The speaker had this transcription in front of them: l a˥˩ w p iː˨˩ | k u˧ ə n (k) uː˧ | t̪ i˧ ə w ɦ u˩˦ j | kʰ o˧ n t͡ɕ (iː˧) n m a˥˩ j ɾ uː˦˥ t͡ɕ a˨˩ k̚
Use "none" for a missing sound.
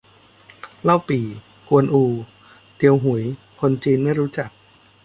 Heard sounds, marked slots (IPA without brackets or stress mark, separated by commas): ʔ, iː˧